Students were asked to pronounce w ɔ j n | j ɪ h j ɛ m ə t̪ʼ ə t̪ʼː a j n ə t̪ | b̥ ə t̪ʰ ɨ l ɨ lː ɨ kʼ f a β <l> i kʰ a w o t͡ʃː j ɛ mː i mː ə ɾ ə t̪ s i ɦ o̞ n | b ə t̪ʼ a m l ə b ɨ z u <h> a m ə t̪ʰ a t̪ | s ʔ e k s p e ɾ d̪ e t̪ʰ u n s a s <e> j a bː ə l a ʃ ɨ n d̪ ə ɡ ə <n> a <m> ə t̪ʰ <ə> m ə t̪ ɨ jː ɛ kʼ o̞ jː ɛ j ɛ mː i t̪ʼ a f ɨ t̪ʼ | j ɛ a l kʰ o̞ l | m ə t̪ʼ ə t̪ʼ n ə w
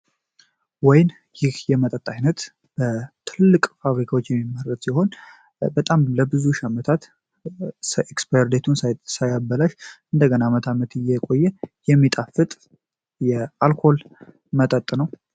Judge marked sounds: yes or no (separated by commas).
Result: no, no, no, yes, yes, no